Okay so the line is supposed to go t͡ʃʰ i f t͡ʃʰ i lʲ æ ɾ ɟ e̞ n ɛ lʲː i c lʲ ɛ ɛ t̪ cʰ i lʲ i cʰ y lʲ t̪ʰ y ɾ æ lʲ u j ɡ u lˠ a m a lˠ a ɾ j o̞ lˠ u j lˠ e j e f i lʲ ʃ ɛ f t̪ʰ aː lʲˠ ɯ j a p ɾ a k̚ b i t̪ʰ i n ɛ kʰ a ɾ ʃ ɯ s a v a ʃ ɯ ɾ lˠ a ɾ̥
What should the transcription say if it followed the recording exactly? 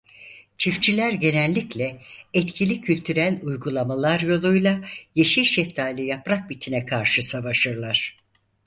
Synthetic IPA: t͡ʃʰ i f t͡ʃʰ i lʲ æ ɾ ɟ e̞ n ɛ lʲː i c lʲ ɛ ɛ t̪ cʰ i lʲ i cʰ y lʲ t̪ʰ y ɾ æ lʲ u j ɡ u lˠ a m a lˠ a ɾ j o̞ lˠ u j lˠ a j e ʃ i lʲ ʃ ɛ f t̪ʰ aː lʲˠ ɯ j a p ɾ a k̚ b i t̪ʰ i n ɛ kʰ a ɾ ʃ ɯ s a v a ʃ ɯ ɾ lˠ a ɾ̥